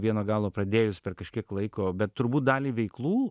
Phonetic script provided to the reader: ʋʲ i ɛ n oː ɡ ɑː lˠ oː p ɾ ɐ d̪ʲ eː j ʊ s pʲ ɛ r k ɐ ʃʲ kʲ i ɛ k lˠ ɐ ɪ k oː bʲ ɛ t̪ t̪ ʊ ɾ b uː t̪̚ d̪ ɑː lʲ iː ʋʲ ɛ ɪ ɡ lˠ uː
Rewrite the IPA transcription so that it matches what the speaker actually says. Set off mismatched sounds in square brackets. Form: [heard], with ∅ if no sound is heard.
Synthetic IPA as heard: ʋʲ i ɛ n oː ɡ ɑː lˠ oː p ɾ ɐ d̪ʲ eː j ʊ s pʲ ɛ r k ɐ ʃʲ kʲ i ɛ k lˠ ɐ ɪ k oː bʲ ɛ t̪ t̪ ʊ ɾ b uː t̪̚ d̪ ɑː lʲ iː ʋʲ ɛ ɪ [k] lˠ uː